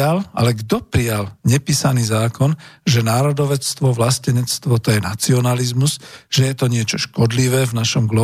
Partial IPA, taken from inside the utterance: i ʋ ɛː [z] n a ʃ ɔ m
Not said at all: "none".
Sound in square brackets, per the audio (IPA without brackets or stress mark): v